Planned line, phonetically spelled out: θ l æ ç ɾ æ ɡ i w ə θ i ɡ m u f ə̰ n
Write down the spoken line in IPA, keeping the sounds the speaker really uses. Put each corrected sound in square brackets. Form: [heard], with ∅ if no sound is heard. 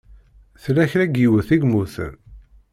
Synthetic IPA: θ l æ ç ɾ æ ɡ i w ə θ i ɡ m u [θ] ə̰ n